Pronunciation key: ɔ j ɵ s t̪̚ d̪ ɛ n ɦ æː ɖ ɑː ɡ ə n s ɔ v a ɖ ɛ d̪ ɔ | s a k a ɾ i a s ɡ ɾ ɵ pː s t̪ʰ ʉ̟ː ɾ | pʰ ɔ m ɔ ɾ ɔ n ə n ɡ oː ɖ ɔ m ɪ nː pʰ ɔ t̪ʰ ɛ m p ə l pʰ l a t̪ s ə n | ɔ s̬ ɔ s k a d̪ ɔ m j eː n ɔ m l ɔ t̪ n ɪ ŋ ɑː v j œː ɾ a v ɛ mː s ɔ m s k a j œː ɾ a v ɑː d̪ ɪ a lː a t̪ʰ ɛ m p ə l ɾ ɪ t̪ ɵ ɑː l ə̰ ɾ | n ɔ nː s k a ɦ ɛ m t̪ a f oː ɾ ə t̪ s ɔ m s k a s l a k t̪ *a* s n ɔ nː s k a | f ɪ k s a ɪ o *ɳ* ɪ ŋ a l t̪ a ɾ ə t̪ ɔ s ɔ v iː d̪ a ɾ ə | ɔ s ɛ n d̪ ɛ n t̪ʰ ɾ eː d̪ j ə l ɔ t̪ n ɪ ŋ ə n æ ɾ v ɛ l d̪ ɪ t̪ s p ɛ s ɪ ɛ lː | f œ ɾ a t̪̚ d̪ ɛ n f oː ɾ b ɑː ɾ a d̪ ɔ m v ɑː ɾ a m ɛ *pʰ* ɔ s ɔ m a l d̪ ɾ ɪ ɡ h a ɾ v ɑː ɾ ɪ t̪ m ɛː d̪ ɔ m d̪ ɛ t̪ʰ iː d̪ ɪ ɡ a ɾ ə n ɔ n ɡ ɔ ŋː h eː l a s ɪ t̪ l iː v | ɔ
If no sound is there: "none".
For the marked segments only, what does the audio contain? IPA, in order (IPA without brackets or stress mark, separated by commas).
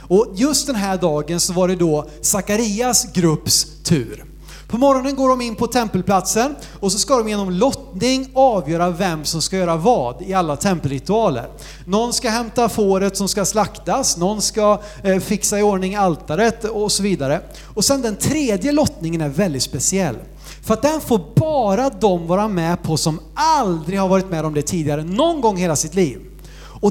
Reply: a, ɳ, pʰ